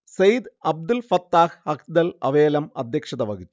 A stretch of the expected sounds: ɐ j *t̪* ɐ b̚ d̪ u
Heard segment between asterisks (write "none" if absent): d̪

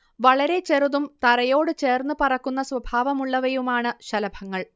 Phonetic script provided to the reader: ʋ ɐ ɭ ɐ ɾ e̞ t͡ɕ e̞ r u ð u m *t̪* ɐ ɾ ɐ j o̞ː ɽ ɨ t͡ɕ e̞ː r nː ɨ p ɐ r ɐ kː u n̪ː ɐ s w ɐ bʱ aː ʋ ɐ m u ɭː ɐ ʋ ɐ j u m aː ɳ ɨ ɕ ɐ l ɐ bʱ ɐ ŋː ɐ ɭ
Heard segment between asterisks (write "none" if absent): t̪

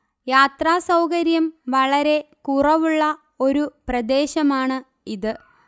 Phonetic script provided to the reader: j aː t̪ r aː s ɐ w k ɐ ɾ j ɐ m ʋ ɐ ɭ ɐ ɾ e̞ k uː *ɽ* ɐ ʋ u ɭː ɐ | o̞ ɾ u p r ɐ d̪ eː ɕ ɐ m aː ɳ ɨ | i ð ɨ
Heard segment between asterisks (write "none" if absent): r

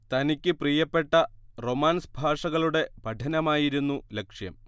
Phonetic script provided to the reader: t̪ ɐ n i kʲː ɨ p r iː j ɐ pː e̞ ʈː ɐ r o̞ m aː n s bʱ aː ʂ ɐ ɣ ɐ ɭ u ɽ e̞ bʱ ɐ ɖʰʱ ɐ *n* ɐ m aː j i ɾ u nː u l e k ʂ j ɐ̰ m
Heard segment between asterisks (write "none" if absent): n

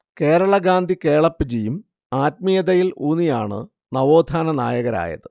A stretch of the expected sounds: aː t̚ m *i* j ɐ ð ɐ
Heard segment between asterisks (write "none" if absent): i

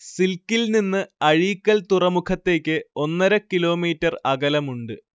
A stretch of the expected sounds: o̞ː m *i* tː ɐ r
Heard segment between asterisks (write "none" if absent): iː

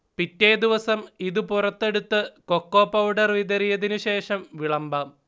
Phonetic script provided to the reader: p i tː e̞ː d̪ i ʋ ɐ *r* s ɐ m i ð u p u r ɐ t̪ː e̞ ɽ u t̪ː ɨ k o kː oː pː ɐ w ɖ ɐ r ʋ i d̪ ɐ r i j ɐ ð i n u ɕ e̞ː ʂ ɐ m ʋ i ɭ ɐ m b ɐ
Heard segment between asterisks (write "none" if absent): none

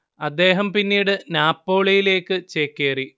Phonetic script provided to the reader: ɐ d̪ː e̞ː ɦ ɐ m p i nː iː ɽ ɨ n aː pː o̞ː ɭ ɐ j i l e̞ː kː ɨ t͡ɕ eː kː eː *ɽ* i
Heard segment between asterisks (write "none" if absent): r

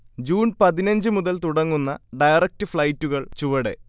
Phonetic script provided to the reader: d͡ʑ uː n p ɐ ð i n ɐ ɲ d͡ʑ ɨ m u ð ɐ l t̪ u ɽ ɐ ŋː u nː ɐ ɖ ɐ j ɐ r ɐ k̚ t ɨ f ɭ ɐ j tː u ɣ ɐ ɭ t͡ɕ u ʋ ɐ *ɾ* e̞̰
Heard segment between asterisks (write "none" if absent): ɽ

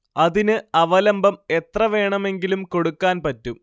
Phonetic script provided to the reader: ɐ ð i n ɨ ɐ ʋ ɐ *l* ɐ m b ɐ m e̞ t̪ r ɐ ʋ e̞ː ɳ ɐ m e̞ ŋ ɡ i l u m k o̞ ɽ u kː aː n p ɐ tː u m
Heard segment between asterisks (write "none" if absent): l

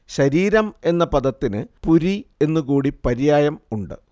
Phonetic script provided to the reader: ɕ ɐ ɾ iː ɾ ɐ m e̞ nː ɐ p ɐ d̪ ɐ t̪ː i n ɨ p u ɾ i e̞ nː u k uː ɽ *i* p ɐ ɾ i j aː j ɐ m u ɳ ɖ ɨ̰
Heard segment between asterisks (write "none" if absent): i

